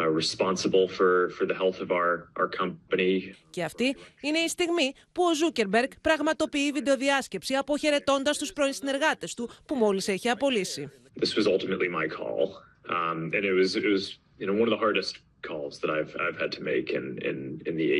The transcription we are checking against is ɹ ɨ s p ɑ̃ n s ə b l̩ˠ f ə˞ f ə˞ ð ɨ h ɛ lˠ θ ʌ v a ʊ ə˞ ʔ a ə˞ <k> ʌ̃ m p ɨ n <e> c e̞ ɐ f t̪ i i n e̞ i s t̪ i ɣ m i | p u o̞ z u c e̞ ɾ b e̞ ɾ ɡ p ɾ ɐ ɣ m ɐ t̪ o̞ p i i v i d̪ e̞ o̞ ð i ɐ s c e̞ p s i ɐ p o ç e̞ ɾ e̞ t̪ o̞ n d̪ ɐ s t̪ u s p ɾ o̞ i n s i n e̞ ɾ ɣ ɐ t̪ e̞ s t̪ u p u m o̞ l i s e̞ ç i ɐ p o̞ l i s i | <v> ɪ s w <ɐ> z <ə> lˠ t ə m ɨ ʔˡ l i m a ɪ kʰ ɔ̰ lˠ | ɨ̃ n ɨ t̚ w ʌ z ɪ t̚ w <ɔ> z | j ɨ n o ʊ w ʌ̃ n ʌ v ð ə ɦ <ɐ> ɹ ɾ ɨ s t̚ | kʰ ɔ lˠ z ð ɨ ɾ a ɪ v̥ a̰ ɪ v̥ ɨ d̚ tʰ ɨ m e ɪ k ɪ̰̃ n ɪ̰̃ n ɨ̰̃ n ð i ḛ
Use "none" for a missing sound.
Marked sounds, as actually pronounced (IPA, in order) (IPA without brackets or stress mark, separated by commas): kʰ, i, ð, ʌ, ʌ, ʌ, ɑ